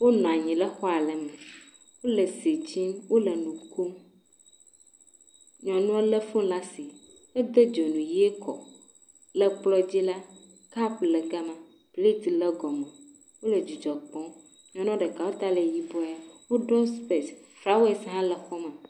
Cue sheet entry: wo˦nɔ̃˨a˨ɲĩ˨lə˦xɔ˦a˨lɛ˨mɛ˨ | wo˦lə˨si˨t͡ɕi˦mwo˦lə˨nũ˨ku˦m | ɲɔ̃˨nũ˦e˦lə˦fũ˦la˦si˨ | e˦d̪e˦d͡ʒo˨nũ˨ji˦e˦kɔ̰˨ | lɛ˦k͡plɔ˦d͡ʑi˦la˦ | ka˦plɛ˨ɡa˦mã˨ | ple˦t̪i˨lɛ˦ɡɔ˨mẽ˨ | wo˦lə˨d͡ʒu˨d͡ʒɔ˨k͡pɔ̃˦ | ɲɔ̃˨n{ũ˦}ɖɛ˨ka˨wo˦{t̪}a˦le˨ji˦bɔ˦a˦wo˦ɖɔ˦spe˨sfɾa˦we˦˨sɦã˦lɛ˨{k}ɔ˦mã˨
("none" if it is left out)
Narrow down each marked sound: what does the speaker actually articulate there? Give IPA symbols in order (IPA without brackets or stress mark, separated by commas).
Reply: ɔ̃˦, t̪, x